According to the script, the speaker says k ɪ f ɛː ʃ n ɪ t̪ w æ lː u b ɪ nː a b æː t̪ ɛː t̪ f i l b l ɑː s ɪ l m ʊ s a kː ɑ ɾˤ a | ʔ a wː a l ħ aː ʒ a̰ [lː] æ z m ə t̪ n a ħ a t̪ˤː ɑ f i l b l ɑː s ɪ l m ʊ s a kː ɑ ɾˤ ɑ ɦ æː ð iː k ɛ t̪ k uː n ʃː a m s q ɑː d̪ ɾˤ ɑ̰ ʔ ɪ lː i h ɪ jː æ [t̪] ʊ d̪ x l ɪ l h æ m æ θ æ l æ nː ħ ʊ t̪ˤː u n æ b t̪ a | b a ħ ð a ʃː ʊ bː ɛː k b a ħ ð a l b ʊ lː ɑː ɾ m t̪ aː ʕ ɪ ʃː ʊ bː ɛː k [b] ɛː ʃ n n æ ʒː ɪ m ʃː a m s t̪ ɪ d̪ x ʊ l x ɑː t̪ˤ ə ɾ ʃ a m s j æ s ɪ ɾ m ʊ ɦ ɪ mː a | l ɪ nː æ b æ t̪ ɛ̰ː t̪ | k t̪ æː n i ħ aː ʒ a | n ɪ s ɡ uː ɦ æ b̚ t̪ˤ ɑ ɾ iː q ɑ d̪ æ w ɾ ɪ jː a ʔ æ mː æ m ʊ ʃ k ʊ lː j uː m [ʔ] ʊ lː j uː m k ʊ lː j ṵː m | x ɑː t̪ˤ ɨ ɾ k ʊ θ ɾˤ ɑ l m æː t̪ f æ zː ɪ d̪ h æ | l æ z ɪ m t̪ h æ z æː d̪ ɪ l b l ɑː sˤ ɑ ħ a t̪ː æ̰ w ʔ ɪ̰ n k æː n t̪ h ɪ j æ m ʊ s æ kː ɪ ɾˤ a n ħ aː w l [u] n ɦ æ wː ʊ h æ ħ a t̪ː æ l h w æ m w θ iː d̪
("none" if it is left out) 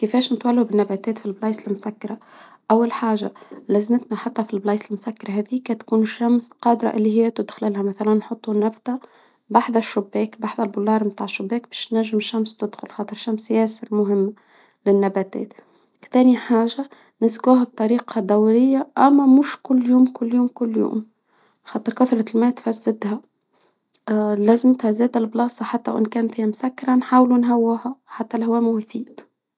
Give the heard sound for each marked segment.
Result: l, t̪, b, k, u

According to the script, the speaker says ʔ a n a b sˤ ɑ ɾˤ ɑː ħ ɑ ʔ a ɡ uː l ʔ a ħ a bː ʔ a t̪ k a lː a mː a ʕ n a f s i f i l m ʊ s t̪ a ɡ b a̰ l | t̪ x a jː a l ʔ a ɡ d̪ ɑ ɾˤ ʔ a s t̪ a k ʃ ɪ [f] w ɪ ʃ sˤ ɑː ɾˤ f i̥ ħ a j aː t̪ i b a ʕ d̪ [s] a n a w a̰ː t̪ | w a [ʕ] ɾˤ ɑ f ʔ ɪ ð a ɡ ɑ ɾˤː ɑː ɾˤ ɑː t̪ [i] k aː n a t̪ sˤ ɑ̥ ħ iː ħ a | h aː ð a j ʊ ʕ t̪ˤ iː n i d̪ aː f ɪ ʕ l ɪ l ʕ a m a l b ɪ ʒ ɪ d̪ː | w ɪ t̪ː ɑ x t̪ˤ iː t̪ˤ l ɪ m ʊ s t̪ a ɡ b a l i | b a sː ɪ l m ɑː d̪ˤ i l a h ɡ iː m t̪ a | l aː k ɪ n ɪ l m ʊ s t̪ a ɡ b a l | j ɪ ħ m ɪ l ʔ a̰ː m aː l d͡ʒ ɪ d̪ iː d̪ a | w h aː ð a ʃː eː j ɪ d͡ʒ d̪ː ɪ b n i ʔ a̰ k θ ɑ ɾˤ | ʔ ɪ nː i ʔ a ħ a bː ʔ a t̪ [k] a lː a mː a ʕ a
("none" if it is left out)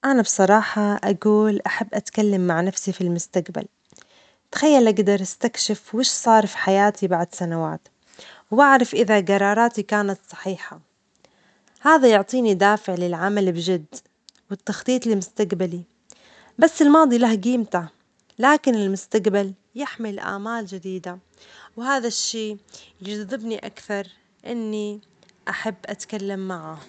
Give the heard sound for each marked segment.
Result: f, s, ʕ, i, k

